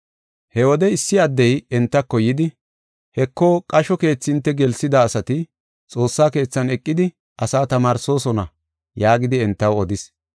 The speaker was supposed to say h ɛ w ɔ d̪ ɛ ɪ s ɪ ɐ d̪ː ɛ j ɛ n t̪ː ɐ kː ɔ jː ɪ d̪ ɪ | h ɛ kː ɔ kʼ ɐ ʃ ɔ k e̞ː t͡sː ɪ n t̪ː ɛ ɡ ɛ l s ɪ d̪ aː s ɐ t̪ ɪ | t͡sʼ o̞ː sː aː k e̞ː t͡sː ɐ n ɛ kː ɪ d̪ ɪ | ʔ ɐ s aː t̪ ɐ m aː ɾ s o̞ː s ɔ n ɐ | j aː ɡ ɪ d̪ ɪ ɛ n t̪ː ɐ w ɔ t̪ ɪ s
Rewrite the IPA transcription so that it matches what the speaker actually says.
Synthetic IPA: h ɛ w ɔ d̪ ɛ ɪ sː ɪ ɐ d̪ː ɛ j ɛ n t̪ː ɐ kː ɔ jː ɪ d̪ ɪ | h ɛ kː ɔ kʼ ɐ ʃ ɔ k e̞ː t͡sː ɪ n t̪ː ɛ ɡ ɛ l s ɪ d̪ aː s ɐ t̪ ɪ | t͡sʼ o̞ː sː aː k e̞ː t͡sː ɐ n ɛ kʼː ɪ d̪ ɪ | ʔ ɐ s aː t̪ ɐ m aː ɾ s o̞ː s ɔ n ɐ | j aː ɡ ɪ d̪ ɪ ɛ n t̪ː ɐ w ɔ d̪ ɪ s